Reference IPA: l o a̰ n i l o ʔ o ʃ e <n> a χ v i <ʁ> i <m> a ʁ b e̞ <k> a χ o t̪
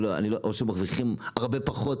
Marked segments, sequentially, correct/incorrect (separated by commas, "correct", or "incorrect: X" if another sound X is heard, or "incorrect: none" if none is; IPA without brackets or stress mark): incorrect: m, incorrect: χ, correct, incorrect: p